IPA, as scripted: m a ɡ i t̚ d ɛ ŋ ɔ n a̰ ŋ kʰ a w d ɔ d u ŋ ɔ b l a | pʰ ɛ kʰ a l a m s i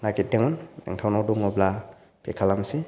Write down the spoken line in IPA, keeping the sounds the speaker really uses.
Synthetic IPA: n a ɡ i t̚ d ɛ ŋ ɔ n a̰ ŋ tʰ a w n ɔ d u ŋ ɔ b l a | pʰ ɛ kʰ a l a m s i

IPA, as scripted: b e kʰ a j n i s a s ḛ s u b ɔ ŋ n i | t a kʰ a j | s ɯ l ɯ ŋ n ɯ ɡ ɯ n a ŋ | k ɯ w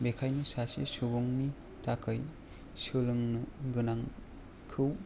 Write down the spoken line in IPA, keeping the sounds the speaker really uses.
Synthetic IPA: b e kʰ a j n i s a s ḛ s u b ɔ ŋ n i | t a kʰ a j | s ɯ l ɯ ŋ n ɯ ɡ ɯ n a ŋ | kʰ ɯ w

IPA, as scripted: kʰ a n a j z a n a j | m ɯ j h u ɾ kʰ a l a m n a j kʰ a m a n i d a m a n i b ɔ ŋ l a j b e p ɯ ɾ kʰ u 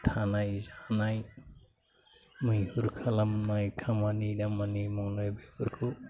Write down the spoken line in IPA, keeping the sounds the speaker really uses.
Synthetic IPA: tʰ a n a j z a n a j | m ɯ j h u ɾ kʰ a l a m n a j kʰ a m a n i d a m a n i m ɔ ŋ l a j b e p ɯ ɾ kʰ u

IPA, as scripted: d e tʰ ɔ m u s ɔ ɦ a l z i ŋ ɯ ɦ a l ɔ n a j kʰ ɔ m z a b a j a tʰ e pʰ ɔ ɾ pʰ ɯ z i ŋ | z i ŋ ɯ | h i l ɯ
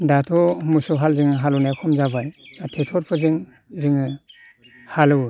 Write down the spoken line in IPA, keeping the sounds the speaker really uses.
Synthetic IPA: d a tʰ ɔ m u s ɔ ɦ a l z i ŋ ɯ ɦ a l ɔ n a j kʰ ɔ m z a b a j a tʰ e tʰ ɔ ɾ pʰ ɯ z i ŋ | z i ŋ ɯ | h a l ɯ

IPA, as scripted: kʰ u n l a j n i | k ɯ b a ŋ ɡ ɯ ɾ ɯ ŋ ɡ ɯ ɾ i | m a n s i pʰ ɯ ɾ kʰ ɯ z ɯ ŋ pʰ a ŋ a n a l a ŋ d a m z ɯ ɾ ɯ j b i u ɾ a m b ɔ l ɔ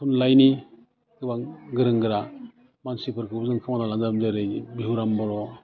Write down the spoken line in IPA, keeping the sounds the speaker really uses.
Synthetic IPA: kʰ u n l a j n i | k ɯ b a ŋ ɡ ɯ ɾ ɯ ŋ ɡ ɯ ɾ a | m a n s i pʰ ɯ ɾ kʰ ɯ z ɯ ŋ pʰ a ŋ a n a l a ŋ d a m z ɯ ɾ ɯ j b i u ɾ a m b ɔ ɾ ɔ

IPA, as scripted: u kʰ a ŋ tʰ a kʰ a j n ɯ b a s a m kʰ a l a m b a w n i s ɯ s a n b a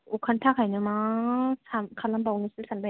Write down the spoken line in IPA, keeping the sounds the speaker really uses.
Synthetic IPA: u kʰ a n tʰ a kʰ a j n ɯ m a s a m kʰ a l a m b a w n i s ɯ s a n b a

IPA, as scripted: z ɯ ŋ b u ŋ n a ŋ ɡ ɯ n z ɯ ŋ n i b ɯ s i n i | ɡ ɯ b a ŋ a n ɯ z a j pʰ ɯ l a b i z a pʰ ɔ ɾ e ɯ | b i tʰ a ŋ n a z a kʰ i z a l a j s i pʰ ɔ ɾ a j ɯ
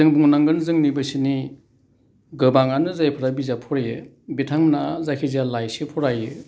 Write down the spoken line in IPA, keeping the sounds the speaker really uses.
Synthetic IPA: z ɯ ŋ b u ŋ n a ŋ ɡ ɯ n z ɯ ŋ n i b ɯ s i n i | ɡ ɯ b a ŋ a n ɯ z a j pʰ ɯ ɾ a b i z a pʰ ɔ ɾ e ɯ | b i tʰ a ŋ n a z a kʰ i z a l a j s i pʰ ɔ ɾ a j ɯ

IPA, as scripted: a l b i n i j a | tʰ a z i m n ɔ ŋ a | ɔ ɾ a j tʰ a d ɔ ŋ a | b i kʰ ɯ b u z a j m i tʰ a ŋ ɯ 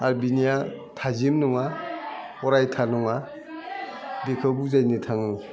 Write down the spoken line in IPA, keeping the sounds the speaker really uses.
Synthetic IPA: a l b i n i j a | tʰ a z i m n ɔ ŋ a | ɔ ɾ a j tʰ a n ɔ ŋ a | b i kʰ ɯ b u z a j n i tʰ a ŋ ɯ

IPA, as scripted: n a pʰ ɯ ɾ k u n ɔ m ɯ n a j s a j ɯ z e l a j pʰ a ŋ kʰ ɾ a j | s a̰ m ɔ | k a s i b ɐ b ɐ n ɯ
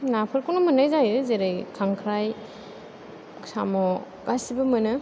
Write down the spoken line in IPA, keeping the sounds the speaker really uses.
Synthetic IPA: n a pʰ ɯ ɾ k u n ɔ m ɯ n a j z a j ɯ z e ɾ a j kʰ a ŋ kʰ ɾ a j | s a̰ m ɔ | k a s i b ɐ m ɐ n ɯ

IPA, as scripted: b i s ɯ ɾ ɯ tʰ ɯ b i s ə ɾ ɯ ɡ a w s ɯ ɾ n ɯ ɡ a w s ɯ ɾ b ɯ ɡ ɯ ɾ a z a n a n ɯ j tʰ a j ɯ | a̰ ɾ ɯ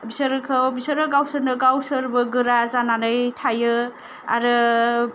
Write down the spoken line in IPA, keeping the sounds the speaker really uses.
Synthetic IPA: b i s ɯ ɾ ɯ kʰ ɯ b i s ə ɾ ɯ ɡ a w s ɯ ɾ n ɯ ɡ a w s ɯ ɾ b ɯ ɡ ɯ ɾ a z a n a n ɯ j tʰ a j ɯ | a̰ ɾ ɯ

